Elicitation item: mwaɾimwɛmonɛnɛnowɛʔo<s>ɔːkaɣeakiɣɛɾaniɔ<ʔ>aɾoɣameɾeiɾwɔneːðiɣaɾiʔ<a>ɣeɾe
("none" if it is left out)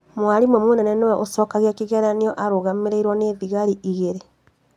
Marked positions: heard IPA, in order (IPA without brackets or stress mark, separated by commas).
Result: s, ʔ, i